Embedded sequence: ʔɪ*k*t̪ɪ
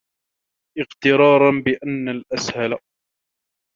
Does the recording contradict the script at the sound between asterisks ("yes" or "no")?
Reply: yes